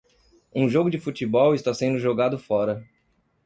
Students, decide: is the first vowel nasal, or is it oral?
nasal